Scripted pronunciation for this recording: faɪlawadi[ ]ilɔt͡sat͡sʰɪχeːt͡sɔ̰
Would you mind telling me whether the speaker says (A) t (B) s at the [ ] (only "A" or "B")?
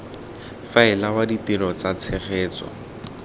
A